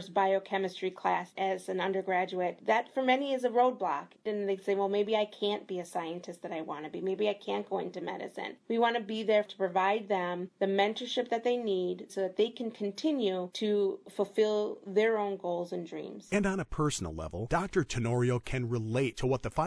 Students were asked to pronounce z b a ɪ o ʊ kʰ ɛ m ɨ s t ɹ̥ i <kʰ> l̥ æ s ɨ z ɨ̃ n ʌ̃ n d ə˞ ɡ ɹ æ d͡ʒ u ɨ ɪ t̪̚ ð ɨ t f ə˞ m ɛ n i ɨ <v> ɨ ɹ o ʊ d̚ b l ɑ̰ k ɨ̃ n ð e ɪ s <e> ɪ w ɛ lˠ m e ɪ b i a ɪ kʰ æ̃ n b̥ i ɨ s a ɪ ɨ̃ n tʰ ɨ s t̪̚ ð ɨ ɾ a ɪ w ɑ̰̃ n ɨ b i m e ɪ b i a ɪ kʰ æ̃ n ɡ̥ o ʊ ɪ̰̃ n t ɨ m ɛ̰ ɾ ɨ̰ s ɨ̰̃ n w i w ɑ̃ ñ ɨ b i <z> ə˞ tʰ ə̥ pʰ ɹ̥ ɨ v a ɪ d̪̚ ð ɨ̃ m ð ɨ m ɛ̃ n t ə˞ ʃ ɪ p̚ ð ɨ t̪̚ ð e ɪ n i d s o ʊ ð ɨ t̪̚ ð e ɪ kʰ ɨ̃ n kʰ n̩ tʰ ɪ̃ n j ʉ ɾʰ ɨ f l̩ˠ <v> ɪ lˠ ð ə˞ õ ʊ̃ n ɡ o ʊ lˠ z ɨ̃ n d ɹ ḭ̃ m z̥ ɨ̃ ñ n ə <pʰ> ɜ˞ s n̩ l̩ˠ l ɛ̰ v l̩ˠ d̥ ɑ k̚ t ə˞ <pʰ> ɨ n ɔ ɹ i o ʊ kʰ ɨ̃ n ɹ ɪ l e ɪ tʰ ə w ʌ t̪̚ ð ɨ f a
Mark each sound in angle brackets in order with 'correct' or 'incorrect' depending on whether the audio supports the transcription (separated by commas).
correct, incorrect, correct, incorrect, incorrect, correct, incorrect